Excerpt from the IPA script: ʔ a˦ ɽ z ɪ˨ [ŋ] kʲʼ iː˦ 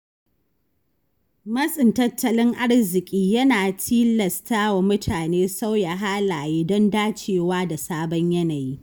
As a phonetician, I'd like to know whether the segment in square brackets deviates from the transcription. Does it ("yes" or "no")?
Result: yes